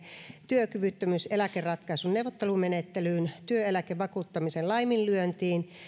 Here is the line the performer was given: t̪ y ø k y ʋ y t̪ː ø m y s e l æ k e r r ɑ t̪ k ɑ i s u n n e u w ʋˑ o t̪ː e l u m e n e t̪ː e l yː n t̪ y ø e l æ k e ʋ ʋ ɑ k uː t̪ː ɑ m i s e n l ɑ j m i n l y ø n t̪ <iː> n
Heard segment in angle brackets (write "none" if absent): iː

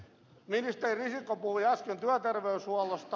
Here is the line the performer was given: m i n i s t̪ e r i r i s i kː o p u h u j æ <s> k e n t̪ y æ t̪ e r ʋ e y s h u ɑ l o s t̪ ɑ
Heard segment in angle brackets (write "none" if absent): s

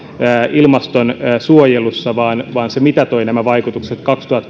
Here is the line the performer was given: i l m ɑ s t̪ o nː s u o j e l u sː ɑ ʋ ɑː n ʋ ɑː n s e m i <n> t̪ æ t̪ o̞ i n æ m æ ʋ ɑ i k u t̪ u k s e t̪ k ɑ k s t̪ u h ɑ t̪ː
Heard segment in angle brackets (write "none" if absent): none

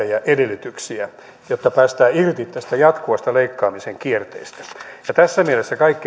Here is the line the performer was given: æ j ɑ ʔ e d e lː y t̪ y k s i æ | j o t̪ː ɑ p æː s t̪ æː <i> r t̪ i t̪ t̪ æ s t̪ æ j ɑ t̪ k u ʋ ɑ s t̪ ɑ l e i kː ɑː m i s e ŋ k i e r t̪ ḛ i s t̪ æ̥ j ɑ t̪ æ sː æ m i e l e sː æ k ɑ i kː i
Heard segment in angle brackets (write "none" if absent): i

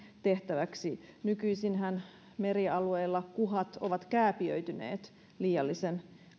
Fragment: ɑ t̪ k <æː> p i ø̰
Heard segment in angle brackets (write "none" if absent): æː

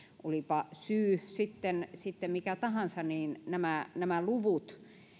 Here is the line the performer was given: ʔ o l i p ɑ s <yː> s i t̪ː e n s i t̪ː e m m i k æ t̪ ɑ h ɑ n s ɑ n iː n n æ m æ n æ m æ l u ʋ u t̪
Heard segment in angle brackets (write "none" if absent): yː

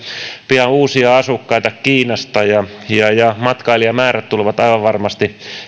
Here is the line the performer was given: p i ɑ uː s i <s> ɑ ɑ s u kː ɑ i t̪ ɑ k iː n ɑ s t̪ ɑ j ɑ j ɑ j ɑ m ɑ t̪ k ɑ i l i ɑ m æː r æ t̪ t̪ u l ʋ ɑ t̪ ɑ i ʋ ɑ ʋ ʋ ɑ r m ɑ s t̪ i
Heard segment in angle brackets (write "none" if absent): none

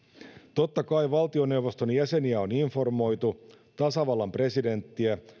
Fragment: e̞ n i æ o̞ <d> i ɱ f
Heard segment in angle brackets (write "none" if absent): n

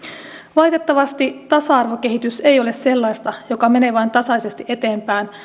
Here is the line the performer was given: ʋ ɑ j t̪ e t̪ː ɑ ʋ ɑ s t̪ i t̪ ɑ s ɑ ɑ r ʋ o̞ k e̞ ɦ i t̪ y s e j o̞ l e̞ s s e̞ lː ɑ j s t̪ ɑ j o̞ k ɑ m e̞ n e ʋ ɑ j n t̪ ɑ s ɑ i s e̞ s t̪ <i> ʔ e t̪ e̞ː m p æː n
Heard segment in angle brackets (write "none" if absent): i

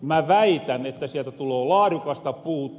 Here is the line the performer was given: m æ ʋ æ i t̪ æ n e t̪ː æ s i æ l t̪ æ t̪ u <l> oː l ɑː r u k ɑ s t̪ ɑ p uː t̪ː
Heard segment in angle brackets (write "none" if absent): l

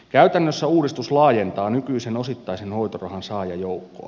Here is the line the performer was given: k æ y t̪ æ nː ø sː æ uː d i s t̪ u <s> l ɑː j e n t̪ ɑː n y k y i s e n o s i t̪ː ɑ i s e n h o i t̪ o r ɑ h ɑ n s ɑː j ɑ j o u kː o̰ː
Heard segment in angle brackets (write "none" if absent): s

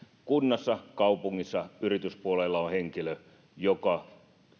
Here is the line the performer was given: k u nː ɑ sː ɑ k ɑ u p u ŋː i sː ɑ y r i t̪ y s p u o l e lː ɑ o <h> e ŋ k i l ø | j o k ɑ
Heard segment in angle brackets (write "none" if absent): h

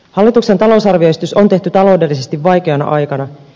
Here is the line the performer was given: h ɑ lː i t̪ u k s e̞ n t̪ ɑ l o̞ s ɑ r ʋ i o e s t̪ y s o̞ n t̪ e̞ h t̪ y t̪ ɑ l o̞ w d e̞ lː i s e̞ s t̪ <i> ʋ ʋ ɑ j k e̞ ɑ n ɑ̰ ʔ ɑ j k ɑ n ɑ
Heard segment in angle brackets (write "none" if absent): i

